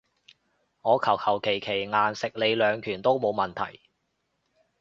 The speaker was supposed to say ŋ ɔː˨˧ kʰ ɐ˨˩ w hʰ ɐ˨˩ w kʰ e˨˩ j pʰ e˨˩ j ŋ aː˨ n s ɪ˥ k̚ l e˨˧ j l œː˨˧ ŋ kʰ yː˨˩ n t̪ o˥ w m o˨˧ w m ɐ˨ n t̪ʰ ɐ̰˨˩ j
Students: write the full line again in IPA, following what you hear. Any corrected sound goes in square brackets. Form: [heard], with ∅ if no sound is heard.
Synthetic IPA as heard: ŋ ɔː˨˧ kʰ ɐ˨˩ w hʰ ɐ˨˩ w kʰ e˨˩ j [kʰ] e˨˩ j ŋ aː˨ n s [ɪ˨] k̚ l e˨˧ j l œː˨˧ ŋ kʰ yː˨˩ n t̪ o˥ w m o˨˧ w m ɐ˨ n t̪ʰ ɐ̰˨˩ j